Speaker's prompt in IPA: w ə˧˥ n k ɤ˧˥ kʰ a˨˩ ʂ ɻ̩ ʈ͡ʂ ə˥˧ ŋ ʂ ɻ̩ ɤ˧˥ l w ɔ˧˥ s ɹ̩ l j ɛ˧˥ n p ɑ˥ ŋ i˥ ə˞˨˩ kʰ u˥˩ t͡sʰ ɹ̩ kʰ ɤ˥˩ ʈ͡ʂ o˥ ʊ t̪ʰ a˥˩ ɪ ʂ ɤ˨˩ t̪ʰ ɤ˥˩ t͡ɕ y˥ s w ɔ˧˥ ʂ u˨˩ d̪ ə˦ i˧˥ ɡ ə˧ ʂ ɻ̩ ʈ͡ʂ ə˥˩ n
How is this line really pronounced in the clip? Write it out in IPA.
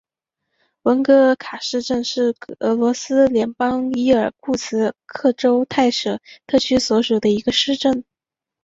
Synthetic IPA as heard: w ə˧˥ n k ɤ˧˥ kʰ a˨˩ ʂ ɻ̩ ʈ͡ʂ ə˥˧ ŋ ʂ ɻ̩ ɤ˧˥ l w ɔ˧˥ s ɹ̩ l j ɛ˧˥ n p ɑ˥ ŋ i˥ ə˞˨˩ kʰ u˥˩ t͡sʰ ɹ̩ kʰ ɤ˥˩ ʈ͡ʂ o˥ ʊ t̪ʰ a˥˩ ɪ ʂ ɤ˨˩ t̪ʰ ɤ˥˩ t͡ɕʰ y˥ s w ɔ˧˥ ʂ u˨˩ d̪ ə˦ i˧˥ ɡ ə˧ ʂ ɻ̩ ʈ͡ʂ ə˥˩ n